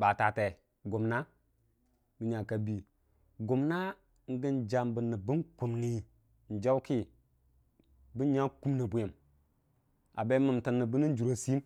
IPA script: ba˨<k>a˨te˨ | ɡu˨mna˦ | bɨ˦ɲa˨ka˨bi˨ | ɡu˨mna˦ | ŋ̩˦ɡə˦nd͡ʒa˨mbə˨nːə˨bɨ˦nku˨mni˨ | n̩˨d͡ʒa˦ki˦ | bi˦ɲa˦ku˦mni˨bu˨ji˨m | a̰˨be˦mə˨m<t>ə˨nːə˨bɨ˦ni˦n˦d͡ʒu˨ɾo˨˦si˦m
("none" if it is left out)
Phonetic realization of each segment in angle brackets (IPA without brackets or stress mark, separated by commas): t, t